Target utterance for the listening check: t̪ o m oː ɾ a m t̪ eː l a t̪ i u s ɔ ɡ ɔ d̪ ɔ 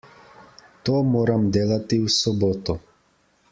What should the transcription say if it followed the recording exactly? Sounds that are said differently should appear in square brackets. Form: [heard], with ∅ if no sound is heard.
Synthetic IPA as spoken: t̪ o m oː ɾ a m [d̪] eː l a t̪ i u s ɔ [b] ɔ [t̪] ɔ